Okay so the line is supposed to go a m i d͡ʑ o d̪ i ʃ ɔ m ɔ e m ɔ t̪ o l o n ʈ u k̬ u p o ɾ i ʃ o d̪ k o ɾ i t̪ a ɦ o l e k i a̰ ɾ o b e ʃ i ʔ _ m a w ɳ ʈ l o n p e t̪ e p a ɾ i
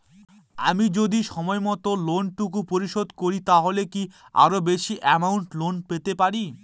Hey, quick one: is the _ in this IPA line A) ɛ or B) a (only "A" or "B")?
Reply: A